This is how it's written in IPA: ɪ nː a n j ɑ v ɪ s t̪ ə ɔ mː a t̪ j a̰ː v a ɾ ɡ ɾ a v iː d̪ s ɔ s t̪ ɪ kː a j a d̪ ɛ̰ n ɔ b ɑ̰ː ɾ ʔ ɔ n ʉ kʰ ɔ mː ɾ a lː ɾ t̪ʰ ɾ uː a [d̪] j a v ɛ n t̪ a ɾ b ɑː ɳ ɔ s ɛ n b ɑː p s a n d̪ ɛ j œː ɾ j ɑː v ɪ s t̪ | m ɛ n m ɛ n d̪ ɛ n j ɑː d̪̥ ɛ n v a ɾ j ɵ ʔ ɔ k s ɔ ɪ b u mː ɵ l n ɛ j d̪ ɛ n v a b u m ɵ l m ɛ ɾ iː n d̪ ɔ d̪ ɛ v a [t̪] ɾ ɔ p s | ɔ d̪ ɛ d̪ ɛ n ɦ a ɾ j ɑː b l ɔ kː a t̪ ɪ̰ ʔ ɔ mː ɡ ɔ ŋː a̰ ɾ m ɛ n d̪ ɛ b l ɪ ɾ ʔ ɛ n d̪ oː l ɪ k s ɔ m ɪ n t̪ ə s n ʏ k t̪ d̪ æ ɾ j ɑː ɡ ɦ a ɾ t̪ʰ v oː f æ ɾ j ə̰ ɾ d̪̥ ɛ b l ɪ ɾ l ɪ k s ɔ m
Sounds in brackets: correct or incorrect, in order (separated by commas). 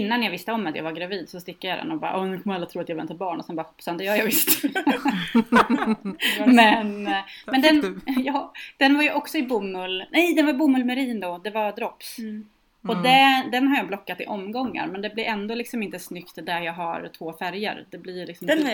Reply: incorrect, incorrect